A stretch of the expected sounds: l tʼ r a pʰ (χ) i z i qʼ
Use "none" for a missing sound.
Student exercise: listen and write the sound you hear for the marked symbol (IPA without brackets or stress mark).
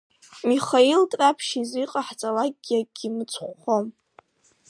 ʃ